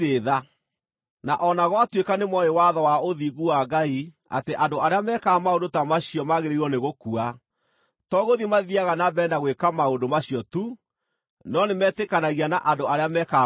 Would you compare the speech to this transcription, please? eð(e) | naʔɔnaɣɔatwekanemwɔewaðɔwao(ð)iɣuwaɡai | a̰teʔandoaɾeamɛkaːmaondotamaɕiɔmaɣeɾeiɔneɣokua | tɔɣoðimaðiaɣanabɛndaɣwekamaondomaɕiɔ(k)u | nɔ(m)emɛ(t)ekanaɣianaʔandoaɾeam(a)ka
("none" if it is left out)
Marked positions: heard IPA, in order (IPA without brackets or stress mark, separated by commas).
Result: a, ð, t, n, t, ɛ